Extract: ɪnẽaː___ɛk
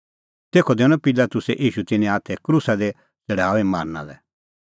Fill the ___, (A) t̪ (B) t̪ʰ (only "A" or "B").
B